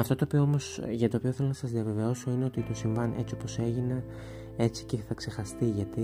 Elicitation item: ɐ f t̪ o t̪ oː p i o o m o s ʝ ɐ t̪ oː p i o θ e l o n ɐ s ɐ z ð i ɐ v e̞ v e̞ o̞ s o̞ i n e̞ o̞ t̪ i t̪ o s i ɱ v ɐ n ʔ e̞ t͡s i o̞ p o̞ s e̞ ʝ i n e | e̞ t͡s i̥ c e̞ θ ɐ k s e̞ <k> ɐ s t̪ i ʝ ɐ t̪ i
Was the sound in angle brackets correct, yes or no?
no